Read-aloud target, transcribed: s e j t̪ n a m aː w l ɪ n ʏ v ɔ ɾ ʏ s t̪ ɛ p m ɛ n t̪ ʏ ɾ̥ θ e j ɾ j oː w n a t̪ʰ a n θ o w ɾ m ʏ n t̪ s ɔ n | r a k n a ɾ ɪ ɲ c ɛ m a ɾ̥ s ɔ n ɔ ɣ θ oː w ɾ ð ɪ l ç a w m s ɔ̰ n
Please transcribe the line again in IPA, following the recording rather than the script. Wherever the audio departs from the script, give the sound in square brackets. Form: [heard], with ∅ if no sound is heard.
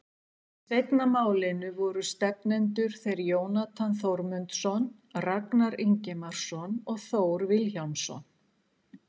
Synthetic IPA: s e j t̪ n a m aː w l ɪ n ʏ v ɔ ɾ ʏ s t̪ ɛ p [n] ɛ n t̪ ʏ ɾ̥ θ e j ɾ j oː w n a t̪ʰ a n θ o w ɾ m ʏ n t̪ s ɔ n | r a k n a ɾ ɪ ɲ c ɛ m a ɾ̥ s ɔ n ɔ ɣ θ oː w ɾ [v] ɪ l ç a w m s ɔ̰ n